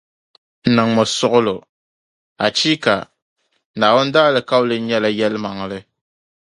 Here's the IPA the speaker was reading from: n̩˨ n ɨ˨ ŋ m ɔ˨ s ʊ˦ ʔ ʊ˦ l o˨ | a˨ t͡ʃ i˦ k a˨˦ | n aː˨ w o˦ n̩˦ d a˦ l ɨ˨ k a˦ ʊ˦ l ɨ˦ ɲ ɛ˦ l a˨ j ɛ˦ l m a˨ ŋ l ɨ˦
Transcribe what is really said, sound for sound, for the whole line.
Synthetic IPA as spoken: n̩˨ n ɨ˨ ŋ m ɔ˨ s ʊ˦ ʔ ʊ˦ l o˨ | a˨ t͡ʃ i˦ k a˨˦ | n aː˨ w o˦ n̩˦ d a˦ l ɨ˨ k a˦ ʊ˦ l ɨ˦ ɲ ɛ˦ l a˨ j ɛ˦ l m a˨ ŋ l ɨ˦